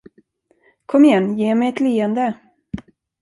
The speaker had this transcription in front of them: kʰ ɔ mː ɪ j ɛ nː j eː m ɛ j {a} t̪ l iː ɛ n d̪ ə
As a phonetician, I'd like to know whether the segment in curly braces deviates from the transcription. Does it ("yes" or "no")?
yes